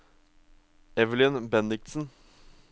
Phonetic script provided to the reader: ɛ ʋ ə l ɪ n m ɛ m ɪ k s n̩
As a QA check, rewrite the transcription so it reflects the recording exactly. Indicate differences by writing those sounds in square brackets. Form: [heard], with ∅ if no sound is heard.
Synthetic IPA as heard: ɛ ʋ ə l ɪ n [b] ɛ [n] ɪ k s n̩